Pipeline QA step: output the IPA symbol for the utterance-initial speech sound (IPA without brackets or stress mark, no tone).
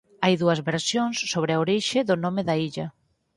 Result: a